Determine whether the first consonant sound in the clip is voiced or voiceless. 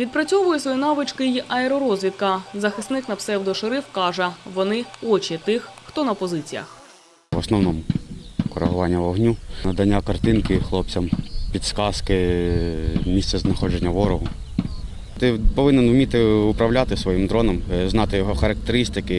voiced